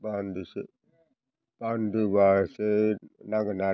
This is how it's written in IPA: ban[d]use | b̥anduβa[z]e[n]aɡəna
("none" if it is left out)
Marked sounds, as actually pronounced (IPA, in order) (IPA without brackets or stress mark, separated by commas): d, s, n